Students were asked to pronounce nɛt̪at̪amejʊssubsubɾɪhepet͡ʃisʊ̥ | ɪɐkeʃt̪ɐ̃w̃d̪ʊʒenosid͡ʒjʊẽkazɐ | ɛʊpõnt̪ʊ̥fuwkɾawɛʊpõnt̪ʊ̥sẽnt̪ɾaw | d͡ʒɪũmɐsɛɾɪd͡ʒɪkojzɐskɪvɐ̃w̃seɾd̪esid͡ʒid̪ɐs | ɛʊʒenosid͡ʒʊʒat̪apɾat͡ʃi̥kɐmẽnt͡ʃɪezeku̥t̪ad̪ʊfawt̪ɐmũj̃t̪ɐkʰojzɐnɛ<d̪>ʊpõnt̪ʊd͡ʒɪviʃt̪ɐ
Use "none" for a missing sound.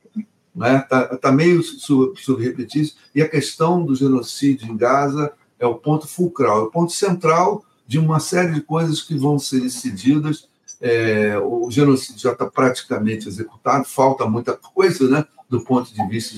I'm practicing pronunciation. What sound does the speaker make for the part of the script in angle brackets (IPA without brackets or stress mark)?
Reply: d̪